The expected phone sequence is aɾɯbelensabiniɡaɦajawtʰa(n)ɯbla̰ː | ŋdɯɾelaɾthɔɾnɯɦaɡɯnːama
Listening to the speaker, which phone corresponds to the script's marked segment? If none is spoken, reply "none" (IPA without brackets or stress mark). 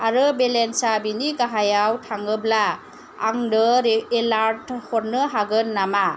ŋ